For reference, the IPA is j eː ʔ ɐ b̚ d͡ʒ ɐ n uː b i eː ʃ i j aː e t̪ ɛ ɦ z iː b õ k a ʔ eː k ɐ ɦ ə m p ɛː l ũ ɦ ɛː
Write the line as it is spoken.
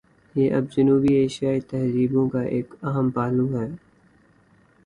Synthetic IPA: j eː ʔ ɐ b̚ d͡ʒ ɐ n uː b i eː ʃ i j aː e t̪ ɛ ɦ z iː b õ k a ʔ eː k ɐ ɦ ə m p aː l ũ ɦ ɛː